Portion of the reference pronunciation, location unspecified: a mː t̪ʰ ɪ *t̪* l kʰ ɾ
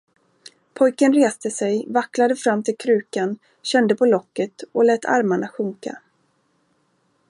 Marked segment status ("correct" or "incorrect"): incorrect